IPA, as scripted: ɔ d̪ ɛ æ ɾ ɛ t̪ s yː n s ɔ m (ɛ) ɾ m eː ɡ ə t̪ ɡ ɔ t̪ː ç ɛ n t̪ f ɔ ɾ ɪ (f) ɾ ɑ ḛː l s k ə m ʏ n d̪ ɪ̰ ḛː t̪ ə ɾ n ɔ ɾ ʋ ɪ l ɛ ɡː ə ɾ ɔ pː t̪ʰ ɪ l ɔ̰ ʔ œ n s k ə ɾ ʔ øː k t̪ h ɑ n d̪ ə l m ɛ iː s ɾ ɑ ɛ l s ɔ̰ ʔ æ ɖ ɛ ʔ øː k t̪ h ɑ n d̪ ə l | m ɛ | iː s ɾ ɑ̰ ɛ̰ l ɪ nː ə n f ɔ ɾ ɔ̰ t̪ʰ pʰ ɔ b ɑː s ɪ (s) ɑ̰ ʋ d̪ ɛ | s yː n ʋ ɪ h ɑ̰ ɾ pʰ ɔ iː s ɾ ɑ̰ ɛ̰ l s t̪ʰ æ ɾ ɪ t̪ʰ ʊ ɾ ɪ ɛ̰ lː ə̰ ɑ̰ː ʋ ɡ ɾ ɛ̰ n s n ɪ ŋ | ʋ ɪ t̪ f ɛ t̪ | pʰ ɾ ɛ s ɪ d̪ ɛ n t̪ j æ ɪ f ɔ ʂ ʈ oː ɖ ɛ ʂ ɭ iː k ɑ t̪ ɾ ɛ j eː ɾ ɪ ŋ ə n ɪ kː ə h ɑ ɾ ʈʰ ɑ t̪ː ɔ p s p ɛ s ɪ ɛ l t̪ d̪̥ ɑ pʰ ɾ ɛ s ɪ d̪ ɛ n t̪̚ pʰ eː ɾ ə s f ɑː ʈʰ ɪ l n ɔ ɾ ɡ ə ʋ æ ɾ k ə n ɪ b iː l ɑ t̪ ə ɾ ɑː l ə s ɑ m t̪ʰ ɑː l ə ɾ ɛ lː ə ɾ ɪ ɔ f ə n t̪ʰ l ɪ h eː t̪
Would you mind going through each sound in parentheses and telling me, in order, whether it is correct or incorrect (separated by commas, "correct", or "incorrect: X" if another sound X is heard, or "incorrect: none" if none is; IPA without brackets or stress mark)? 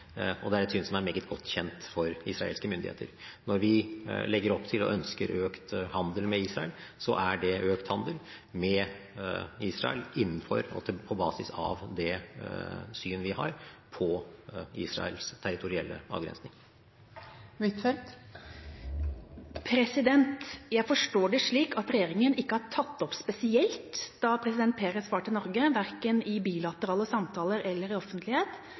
incorrect: æ, incorrect: s, correct